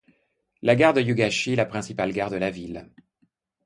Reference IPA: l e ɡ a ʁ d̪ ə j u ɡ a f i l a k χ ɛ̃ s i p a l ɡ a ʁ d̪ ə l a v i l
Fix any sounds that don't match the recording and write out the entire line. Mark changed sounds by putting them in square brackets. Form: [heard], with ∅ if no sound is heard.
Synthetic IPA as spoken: l [a] ɡ a ʁ d̪ ə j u ɡ a [ʃ] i l a [p] χ ɛ̃ s i p a l ɡ a ʁ d̪ ə l a v i l